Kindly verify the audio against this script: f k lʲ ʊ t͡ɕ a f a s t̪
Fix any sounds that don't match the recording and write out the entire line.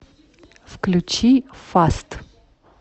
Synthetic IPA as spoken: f k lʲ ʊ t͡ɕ i f a s t̪